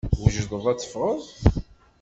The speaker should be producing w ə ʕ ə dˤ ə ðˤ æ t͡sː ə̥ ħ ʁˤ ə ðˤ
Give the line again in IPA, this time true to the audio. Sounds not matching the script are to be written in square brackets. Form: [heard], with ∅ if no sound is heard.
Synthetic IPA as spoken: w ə [ʒ] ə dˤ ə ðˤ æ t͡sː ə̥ [f] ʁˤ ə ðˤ